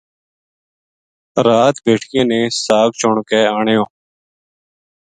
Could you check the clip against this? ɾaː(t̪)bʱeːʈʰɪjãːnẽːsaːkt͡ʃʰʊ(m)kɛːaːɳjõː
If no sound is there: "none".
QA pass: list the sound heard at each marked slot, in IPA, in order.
t̪, ɳ

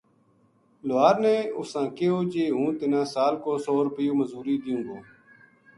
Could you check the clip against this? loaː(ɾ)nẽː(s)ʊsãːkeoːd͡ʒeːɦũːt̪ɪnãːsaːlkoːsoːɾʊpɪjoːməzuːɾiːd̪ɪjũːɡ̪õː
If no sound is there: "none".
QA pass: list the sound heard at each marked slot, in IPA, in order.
ɾ, none

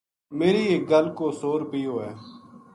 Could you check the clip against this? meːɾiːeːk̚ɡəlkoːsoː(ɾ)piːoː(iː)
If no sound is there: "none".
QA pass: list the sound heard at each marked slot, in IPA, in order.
ɾ, ɛː

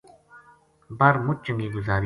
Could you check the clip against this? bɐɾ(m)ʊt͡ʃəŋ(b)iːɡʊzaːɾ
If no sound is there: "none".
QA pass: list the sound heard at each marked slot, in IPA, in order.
m, ɡ

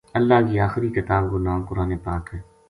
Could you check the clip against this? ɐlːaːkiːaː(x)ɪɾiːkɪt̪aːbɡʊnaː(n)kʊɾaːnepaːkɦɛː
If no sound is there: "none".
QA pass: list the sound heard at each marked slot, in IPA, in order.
x, m

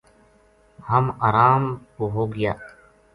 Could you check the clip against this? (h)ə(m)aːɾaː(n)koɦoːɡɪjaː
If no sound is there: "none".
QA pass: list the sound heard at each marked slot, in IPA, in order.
h, m, m

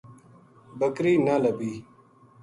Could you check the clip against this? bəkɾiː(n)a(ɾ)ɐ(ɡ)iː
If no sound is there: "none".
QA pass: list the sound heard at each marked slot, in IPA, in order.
n, l, b

